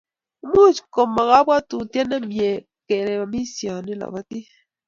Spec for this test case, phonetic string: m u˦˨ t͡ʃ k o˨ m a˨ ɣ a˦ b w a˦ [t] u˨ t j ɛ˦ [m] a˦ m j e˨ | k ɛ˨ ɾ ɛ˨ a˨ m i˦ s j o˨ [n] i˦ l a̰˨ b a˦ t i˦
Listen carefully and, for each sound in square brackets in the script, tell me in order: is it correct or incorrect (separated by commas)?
correct, incorrect, correct